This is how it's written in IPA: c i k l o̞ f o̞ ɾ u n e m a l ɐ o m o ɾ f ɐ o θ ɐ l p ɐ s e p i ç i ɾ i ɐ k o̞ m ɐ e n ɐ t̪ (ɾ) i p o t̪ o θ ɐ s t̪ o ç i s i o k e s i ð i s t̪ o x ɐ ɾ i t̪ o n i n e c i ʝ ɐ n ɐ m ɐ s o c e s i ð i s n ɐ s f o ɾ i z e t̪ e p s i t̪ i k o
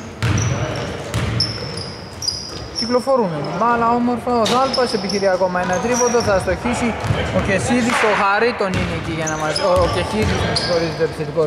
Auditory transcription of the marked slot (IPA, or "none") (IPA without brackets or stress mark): ɾ